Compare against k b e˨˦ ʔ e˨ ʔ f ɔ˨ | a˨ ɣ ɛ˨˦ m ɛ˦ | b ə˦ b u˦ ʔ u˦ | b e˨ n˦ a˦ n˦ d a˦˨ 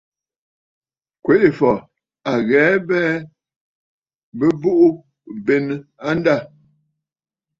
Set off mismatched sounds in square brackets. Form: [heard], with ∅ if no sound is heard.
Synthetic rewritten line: k [w] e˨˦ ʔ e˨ [∅] f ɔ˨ | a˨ ɣ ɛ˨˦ [b] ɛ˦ | b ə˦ b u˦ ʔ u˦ | b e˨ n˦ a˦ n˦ d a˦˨